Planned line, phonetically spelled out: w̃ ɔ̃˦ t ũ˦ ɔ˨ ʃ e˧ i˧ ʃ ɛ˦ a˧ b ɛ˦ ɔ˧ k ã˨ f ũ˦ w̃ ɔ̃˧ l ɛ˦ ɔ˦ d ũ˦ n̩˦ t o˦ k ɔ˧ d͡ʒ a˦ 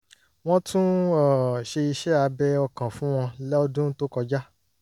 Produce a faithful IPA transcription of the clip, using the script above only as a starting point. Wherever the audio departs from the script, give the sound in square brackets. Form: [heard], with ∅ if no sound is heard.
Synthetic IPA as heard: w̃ ɔ̃˦ t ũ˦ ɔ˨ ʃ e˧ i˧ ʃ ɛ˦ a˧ b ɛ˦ ɔ˧ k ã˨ f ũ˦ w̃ ɔ̃˧ l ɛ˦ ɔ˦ d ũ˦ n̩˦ t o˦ k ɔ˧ d͡ʒ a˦